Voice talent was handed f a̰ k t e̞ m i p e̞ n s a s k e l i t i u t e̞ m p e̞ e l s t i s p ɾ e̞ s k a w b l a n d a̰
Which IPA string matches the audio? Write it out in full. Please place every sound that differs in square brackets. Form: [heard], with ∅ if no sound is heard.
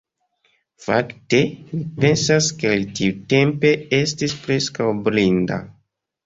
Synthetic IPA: f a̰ k t e̞ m i p e̞ n s a s k e l i t i u t e̞ m p e̞ e [∅] s t i s p ɾ e̞ s k a w b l [i] n d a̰